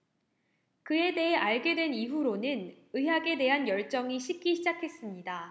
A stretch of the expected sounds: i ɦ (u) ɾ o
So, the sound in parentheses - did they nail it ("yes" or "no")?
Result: yes